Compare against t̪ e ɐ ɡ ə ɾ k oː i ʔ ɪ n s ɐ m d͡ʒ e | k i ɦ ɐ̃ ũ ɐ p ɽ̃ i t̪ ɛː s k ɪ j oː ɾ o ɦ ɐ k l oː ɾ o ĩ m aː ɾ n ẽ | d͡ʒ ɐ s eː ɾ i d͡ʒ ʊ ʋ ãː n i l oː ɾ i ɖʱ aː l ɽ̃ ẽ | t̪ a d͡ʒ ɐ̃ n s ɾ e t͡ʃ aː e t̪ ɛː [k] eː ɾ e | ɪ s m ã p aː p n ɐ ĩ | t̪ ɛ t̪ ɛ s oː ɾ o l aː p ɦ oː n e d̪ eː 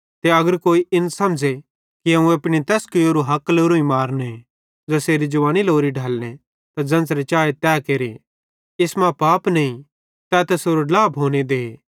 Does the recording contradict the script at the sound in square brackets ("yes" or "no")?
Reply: no